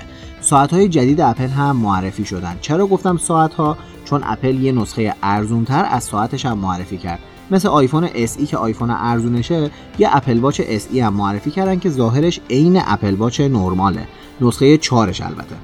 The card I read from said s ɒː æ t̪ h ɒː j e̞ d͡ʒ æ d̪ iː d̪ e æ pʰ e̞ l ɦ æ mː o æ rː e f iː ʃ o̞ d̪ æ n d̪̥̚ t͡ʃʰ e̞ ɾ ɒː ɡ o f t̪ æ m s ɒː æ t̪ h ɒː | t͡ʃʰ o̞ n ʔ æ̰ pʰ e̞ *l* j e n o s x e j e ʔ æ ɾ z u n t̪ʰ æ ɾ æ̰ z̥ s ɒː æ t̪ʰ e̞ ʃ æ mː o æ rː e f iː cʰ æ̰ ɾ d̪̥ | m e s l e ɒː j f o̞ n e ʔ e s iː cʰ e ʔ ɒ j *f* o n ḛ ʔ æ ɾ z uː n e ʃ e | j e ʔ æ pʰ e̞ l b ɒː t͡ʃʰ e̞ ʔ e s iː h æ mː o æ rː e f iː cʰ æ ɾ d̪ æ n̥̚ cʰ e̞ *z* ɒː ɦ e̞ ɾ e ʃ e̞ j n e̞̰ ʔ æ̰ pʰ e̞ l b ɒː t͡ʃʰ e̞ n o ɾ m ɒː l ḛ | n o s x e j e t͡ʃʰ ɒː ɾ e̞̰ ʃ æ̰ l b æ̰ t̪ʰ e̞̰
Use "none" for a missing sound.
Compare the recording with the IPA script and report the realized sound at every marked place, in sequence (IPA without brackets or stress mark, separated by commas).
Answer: l, f, z